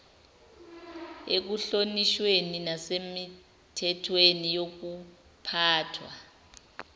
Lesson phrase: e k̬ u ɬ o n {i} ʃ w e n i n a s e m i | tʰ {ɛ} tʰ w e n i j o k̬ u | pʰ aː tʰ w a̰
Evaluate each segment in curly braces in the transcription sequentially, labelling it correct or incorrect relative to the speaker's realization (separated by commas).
correct, correct